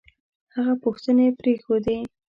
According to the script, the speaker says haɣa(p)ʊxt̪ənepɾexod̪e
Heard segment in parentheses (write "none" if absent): p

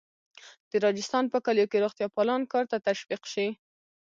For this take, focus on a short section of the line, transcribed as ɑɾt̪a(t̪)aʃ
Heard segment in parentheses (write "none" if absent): t̪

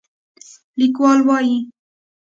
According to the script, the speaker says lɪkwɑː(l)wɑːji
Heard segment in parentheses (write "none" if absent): l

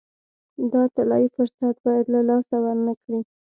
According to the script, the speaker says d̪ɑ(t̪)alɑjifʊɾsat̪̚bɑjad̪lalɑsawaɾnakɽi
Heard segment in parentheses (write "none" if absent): t̪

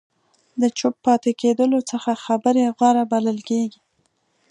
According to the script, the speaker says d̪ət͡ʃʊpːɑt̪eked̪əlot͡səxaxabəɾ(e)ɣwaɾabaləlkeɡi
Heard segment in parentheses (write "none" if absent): e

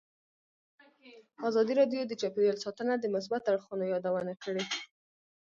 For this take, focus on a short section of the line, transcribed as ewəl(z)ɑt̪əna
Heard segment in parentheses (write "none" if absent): s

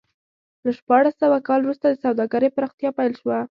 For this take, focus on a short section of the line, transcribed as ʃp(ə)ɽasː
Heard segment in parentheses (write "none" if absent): ɑ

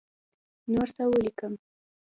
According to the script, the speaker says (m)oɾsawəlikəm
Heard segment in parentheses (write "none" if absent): n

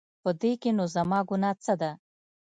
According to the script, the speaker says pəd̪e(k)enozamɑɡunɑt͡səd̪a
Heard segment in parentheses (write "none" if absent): k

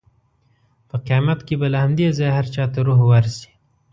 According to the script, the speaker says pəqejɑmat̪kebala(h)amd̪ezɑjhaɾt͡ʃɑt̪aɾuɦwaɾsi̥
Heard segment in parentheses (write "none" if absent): h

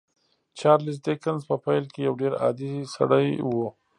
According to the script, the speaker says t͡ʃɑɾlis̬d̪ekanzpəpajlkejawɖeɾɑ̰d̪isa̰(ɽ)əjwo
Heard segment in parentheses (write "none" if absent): ɽ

